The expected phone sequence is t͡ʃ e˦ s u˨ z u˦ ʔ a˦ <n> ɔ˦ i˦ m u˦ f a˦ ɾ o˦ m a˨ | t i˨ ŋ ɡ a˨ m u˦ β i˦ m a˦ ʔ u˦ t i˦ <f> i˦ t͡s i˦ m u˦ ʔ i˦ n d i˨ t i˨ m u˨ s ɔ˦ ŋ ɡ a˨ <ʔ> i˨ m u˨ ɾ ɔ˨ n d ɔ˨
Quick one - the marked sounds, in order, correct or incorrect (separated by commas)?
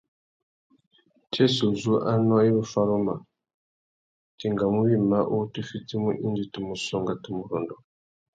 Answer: correct, correct, incorrect